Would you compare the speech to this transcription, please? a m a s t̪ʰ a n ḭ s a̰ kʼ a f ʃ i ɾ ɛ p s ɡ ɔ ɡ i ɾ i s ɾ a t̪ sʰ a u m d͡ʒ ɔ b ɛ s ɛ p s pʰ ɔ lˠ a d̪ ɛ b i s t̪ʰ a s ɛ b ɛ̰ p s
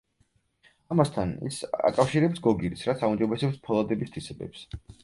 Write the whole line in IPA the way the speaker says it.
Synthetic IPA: a m a s t̪ʰ a n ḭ s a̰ kʼ a f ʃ i ɾ ɛ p s ɡ ɔ ɡ i ɾ i s ɾ a t̪ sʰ a u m d͡ʒ ɔ b ɛ s ɛ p s pʰ ɔ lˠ a d̪ ɛ b i s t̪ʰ i s ɛ b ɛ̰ p s